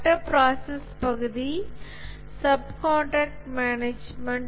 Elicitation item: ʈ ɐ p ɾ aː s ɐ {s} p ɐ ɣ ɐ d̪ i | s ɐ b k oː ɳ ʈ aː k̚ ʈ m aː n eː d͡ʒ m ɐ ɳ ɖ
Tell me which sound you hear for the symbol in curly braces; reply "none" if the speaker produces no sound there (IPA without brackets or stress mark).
s